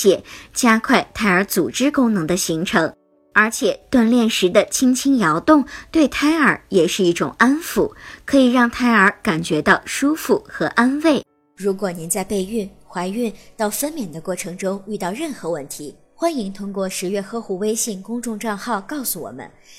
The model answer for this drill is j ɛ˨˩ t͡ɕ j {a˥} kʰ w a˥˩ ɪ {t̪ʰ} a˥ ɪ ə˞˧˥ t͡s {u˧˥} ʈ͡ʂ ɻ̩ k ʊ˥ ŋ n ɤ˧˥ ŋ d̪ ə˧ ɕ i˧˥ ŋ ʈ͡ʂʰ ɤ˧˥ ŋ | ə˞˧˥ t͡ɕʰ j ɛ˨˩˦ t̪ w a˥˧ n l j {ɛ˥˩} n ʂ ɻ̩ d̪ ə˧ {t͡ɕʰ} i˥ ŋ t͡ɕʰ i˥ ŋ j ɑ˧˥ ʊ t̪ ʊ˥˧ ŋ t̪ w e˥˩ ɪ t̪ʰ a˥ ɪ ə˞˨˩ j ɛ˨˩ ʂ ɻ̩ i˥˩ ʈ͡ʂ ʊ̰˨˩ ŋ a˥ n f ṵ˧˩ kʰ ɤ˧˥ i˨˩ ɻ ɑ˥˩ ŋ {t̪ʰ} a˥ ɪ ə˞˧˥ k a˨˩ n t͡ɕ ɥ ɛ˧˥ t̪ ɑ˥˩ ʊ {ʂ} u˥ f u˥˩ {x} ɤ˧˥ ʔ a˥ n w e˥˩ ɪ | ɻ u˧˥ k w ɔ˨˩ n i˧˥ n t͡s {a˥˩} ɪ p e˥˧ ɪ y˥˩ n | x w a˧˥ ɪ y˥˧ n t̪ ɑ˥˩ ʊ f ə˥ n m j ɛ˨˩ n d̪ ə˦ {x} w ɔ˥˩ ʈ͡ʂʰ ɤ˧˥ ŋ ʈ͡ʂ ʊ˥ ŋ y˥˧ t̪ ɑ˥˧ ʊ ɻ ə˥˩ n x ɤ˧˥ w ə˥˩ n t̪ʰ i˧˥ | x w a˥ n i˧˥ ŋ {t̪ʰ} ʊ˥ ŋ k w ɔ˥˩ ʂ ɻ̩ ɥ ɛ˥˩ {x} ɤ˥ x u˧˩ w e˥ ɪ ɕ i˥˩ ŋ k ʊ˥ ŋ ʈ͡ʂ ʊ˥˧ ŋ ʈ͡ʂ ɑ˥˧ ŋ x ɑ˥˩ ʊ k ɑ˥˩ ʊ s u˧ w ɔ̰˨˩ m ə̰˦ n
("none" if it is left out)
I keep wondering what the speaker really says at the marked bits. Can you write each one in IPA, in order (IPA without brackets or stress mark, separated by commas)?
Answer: a˥, t̪ʰ, u˨˩, ɛ˥˩, t͡ɕʰ, t̪ʰ, ʂ, x, a˥˧, k, t̪ʰ, x